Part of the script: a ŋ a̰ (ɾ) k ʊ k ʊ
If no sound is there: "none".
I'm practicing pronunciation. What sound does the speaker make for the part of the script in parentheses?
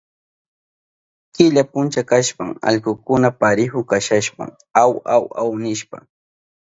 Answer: ʎ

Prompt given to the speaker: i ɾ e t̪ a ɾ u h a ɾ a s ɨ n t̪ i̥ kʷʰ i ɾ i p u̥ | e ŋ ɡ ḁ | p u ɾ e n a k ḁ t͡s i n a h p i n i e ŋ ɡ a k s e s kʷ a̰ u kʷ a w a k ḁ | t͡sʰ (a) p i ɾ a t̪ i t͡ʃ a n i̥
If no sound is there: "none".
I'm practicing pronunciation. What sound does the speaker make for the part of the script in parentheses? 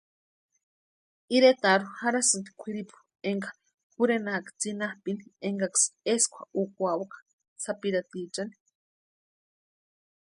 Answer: a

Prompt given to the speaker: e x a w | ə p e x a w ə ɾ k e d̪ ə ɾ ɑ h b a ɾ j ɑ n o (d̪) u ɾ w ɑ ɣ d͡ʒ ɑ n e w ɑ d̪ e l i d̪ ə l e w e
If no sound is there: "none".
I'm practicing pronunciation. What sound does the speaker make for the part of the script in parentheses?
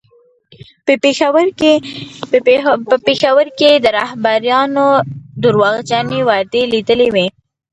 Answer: d̪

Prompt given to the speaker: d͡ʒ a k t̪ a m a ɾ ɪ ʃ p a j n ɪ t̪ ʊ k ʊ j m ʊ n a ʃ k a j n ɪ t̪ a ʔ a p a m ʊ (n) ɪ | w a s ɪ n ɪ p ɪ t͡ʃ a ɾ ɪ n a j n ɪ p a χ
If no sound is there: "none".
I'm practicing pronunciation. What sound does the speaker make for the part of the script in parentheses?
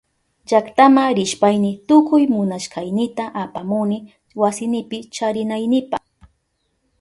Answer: n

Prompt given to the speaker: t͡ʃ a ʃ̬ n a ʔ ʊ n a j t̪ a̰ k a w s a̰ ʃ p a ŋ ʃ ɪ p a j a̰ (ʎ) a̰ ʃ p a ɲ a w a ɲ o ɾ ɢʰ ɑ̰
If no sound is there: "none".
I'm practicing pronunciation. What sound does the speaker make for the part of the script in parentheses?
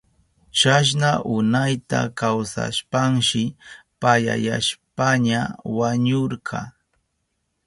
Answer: j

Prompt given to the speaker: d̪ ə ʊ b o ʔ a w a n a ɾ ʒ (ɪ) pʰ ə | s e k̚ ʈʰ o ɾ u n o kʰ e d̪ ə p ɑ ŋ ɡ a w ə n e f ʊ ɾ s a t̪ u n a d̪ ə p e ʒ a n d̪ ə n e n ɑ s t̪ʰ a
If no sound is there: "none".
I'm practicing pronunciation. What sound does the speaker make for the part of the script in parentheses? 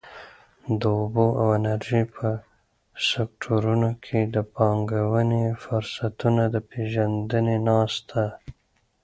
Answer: i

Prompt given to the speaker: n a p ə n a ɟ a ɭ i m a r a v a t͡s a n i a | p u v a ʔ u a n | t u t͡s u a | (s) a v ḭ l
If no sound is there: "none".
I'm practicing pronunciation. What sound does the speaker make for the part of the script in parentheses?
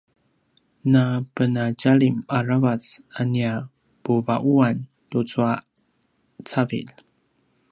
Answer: t͡s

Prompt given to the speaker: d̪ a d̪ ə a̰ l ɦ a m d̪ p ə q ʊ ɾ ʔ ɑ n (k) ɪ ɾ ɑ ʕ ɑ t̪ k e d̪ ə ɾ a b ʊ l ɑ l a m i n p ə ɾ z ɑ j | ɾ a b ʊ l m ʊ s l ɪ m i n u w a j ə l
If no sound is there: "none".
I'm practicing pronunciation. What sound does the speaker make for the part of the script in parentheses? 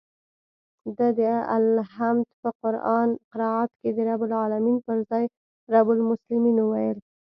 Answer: q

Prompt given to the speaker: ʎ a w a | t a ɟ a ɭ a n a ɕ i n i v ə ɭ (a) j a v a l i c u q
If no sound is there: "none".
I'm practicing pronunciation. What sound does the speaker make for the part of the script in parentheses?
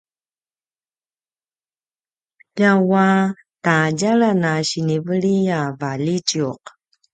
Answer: i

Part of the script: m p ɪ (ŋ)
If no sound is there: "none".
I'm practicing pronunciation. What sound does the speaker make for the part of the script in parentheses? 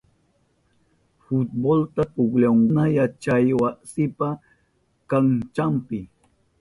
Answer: none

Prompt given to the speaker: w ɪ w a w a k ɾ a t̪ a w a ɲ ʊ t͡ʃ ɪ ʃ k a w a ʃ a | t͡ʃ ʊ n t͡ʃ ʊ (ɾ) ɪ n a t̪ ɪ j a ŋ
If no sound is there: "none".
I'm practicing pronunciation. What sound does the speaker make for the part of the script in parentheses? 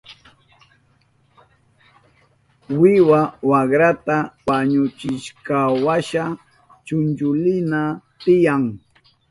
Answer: l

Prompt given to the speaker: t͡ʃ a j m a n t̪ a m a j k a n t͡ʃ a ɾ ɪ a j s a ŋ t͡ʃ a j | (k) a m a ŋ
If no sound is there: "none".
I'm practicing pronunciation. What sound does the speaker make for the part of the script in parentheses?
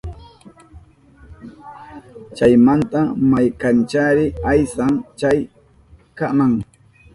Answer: k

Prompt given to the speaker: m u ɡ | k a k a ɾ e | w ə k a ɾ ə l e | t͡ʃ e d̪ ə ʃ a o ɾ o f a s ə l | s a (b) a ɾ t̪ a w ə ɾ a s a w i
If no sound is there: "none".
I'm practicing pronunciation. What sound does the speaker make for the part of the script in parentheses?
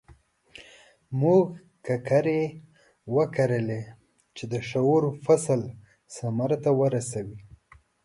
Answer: m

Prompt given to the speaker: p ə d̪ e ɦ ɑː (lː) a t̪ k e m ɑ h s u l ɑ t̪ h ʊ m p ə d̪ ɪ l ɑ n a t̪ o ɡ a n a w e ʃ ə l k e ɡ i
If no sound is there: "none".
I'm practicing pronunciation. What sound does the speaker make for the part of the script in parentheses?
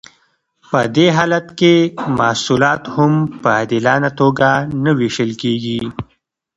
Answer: l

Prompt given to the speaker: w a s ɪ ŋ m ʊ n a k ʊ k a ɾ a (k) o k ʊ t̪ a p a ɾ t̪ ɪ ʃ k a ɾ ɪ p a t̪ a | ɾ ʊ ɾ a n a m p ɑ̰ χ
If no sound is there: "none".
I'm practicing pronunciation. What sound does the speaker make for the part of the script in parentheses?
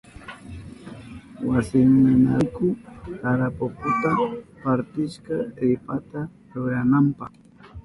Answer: p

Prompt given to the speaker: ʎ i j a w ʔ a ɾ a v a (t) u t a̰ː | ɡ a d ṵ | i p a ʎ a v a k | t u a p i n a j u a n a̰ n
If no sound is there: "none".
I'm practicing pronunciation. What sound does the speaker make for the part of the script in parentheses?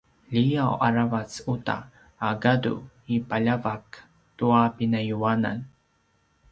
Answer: t͡s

